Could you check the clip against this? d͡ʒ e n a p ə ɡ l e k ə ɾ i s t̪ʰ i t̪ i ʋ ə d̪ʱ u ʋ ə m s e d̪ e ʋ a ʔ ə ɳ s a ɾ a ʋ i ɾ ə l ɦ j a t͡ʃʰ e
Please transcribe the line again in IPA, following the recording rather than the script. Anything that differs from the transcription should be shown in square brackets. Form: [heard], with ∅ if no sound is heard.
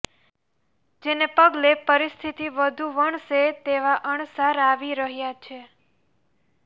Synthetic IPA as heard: d͡ʒ e n [e] p ə ɡ l e [p] ə ɾ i s t̪ʰ i t̪ i ʋ ə d̪ʱ u ʋ ə [ɳ] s e [t̪] e ʋ a ʔ ə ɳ s a ɾ a ʋ i ɾ ə [∅] ɦ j a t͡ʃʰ e